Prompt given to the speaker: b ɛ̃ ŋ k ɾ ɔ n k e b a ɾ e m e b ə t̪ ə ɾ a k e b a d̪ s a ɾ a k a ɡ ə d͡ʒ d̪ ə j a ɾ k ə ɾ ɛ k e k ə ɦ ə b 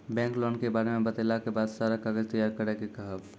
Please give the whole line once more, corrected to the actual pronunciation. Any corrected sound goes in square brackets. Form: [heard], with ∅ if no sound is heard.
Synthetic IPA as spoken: b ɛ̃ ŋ k [l] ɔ n k e b a ɾ e m e b ə t̪ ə [l] a k e b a d̪ s a ɾ a k a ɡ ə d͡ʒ [t̪] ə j a ɾ k ə ɾ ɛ k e k ə ɦ ə b